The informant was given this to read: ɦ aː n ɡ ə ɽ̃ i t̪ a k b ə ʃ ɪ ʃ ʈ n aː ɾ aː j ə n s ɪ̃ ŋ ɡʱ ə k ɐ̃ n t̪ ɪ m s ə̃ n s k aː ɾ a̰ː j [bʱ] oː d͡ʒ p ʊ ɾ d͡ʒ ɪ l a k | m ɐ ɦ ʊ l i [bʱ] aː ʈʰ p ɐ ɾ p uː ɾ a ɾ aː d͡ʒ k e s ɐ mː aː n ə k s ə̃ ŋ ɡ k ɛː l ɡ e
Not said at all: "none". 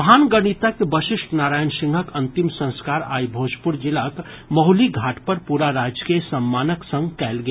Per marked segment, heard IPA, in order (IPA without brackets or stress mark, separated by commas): bʱ, ɡʱ